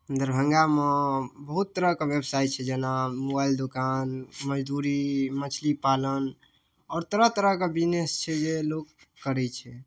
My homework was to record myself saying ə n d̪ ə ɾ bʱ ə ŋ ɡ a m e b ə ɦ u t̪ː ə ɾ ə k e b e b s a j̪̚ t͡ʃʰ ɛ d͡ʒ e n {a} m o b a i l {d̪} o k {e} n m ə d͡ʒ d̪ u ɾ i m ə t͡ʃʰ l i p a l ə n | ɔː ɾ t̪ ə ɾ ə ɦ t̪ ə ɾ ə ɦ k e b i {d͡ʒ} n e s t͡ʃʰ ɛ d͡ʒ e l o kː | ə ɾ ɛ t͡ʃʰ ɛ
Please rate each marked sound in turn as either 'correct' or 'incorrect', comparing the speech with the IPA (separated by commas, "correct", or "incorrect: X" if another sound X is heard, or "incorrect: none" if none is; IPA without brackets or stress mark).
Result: correct, correct, incorrect: a, incorrect: none